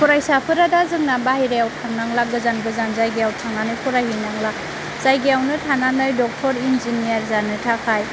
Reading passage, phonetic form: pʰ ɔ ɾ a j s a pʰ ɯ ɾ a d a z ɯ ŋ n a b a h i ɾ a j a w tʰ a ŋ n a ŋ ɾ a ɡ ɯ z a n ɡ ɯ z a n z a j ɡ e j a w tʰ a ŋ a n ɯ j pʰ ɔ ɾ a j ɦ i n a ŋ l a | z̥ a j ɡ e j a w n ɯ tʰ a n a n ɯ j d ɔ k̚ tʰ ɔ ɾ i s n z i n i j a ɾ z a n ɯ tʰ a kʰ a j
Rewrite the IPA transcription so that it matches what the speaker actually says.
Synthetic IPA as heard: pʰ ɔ ɾ a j s a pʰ ɯ ɾ a d a z ɯ ŋ n a b a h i ɾ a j a w tʰ a ŋ n a ŋ l a ɡ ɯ z a n ɡ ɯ z a n z a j ɡ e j a w tʰ a ŋ a n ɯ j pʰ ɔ ɾ a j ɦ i n a ŋ l a | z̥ a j ɡ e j a w n ɯ tʰ a n a n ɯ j d ɔ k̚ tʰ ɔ ɾ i n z i n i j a ɾ z a n ɯ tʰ a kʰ a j